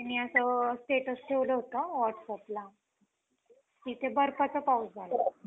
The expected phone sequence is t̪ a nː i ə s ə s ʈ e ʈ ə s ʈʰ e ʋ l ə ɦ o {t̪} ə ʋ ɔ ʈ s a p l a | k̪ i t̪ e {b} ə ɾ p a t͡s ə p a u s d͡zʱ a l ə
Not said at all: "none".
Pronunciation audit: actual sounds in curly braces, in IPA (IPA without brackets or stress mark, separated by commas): t̪, b